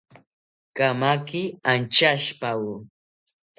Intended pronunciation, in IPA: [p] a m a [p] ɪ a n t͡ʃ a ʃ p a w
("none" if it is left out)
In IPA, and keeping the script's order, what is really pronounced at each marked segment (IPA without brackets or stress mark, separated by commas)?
k, k